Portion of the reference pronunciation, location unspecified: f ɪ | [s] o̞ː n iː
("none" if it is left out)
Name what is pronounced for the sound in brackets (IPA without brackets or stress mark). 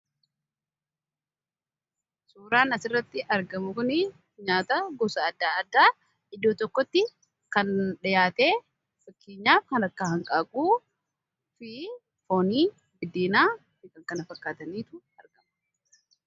f